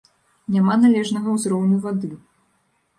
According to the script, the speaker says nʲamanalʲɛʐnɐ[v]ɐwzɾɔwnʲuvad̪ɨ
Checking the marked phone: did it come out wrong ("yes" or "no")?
yes